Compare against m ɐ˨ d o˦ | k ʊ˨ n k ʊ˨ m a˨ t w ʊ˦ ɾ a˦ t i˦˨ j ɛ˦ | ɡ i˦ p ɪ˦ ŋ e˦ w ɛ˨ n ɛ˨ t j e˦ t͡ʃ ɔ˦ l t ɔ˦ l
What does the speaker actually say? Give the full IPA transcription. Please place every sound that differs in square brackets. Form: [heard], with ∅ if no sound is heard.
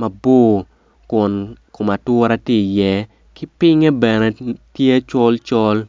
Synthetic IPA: m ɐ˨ [b] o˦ | k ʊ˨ n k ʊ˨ m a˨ t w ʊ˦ ɾ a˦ t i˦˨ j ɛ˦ | [k] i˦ p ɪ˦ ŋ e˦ [b] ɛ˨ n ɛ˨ t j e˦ t͡ʃ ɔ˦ l [t͡ʃ] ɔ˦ l